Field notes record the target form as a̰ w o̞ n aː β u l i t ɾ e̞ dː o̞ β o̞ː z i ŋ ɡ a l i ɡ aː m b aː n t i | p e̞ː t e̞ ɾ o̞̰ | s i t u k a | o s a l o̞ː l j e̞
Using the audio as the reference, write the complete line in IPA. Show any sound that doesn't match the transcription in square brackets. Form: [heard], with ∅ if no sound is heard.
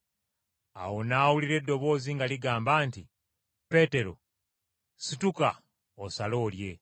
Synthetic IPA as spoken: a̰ w o̞ n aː [w] u l i [∅] ɾ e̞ dː o̞ β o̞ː z i ŋ ɡ a l i ɡ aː m b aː n t i | p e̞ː t e̞ ɾ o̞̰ | s i t u k a | o s a l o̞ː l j e̞